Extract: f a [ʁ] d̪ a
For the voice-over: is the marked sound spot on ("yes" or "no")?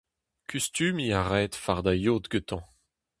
yes